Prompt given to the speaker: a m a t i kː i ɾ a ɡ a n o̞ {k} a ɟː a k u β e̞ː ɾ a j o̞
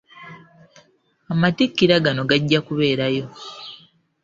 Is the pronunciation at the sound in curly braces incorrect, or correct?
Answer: incorrect